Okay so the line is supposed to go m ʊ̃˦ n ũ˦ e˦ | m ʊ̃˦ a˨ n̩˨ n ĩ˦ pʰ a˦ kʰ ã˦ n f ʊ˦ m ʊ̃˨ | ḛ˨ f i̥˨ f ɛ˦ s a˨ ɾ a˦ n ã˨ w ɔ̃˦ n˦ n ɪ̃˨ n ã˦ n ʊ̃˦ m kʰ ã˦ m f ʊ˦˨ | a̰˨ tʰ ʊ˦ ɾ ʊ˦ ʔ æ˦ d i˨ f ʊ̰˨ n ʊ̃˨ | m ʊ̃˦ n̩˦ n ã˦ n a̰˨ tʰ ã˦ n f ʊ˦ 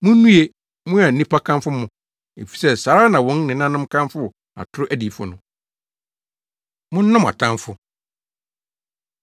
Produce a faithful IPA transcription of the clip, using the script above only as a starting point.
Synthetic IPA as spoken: m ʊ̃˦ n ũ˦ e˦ | m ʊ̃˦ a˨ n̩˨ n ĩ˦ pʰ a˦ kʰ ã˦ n f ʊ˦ m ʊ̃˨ | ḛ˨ f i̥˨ s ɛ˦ s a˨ ɾ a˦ n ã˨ w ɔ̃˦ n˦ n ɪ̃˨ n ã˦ n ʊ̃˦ m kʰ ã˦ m f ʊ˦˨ | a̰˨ tʰ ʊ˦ ɾ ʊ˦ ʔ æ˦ d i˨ f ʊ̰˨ n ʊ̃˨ | m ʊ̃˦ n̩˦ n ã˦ m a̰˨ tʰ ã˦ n f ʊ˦